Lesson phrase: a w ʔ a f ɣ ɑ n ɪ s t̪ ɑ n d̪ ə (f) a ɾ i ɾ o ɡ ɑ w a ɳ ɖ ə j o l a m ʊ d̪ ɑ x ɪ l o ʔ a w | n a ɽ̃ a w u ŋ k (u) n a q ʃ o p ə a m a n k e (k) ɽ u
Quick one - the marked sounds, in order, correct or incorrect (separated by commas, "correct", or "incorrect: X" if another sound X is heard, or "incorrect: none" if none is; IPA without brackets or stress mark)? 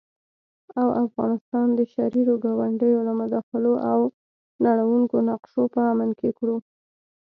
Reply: incorrect: ʃ, incorrect: o, correct